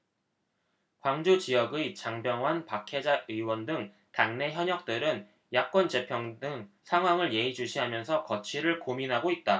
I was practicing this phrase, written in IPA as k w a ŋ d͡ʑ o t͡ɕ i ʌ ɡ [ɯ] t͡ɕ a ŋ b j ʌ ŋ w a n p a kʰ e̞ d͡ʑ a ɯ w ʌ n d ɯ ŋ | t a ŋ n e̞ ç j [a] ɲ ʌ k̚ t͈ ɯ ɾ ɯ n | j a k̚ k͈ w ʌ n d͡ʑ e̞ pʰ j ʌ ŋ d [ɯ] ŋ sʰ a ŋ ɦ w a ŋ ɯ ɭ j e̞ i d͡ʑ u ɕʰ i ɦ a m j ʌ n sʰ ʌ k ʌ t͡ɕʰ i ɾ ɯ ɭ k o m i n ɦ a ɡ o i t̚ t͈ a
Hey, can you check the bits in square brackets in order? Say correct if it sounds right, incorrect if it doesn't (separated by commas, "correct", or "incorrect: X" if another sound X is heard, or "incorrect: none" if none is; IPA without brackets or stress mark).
correct, incorrect: ʌ, correct